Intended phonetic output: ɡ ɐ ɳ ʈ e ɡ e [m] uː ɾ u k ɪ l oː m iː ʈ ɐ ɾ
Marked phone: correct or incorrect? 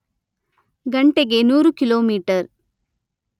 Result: incorrect